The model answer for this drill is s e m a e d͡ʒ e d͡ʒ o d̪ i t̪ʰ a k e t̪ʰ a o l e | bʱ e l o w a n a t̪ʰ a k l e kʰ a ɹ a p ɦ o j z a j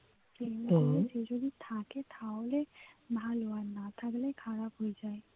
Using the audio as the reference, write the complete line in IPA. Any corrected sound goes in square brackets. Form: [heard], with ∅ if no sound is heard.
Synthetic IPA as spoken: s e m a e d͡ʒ e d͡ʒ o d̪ i t̪ʰ a k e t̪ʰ a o l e | bʱ [a] l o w a n a t̪ʰ a k l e kʰ a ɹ a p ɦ o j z a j